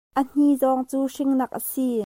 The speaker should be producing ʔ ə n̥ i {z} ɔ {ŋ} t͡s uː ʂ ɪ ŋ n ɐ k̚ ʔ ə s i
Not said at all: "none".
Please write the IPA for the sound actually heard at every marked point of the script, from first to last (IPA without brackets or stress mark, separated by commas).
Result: z, ŋ